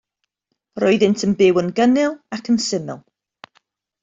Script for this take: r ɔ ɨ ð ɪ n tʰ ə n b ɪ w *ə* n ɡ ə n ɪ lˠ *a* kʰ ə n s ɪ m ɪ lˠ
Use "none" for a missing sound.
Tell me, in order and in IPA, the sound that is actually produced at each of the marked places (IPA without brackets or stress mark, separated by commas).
ə, a